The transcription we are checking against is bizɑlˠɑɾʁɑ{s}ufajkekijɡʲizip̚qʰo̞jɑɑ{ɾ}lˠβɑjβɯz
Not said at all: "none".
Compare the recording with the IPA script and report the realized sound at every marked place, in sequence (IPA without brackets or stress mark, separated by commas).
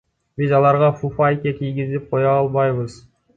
f, none